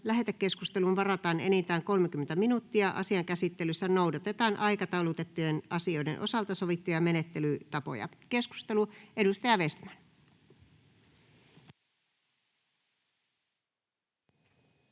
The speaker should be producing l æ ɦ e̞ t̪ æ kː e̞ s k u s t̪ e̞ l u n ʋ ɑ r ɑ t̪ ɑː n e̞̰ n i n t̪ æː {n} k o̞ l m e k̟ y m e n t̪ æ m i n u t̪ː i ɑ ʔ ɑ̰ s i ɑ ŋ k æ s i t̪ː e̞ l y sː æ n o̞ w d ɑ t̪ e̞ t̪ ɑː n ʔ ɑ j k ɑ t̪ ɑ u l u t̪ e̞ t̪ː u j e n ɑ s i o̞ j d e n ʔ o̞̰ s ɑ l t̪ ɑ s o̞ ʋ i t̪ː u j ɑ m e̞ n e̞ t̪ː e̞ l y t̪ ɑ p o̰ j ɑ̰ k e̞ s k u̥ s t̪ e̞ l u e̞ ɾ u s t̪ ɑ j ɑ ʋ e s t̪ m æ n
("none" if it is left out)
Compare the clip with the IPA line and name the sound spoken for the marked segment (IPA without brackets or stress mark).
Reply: ŋ